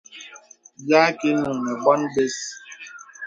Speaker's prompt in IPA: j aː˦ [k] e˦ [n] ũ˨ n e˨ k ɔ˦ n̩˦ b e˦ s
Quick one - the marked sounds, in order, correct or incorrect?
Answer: correct, correct

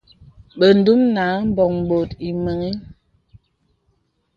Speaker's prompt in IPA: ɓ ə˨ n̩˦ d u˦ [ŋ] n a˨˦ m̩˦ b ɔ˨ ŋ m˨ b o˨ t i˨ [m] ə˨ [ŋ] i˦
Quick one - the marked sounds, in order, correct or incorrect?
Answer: incorrect: m, correct, correct

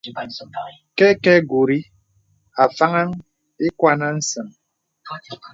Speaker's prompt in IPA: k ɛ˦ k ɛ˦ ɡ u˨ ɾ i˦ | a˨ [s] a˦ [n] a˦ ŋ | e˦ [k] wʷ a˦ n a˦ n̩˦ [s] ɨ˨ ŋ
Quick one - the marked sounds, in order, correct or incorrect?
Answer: incorrect: f, incorrect: ŋ, correct, correct

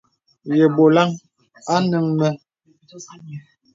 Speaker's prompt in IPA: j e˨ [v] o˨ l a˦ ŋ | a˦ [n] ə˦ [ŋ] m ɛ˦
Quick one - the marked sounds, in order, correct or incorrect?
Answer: incorrect: b, correct, correct

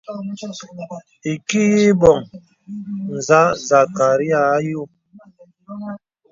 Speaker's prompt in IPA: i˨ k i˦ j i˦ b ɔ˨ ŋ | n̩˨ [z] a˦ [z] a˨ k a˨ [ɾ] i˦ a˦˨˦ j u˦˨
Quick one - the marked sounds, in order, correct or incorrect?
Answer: correct, correct, correct

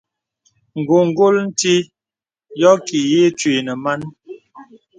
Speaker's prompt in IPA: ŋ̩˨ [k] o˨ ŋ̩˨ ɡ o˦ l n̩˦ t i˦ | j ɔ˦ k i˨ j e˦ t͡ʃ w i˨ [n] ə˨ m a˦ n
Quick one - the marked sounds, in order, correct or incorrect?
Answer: incorrect: ɡ, correct

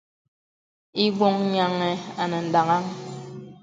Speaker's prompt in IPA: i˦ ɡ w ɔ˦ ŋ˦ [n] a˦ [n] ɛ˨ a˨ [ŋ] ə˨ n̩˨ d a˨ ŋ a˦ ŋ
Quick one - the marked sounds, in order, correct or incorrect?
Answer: incorrect: ɲ, incorrect: ŋ, incorrect: n

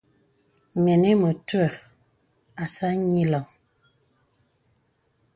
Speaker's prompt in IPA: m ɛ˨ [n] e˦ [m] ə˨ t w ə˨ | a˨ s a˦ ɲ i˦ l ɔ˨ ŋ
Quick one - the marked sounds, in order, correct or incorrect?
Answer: correct, correct

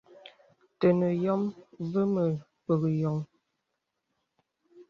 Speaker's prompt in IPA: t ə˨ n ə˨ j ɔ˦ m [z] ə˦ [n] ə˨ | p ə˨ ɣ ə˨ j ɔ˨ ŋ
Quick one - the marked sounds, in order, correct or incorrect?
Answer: incorrect: v, incorrect: m

